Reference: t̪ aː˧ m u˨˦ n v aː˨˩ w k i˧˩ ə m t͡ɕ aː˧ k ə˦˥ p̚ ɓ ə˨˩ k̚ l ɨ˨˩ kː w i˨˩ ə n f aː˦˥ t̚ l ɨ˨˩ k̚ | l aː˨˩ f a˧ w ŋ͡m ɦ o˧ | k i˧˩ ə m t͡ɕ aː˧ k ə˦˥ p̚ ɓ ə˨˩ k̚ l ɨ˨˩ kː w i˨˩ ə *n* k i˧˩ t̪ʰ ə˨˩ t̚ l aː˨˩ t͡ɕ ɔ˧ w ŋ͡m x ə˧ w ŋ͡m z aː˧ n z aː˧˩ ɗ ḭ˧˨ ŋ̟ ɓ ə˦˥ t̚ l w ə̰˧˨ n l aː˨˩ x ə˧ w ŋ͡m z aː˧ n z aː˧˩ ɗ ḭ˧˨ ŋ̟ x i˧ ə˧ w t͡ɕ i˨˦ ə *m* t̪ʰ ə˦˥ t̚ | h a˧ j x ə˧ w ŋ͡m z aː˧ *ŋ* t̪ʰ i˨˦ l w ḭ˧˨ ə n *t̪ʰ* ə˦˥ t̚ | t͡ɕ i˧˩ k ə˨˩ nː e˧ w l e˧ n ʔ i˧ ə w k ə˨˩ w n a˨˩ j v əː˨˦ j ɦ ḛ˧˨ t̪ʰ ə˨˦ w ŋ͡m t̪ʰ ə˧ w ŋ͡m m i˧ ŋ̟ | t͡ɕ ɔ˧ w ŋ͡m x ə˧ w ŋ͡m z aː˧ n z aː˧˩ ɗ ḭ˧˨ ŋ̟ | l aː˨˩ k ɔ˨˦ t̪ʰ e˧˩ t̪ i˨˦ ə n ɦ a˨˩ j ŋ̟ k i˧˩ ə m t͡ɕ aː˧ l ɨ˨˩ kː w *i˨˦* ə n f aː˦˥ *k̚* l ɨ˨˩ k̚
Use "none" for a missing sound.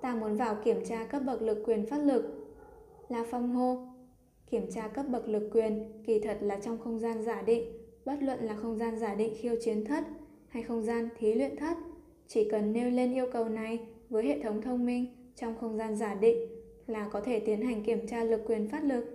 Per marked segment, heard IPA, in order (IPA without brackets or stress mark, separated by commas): n, n, n, t̪ʰ, i˨˩, t̚